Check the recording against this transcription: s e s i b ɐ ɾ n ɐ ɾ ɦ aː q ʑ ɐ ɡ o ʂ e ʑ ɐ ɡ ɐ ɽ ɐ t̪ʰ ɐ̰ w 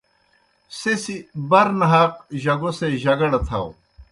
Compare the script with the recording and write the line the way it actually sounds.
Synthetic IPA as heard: s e s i b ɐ ɾ n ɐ ɦ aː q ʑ ɐ ɡ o s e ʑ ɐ ɡ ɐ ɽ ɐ t̪ʰ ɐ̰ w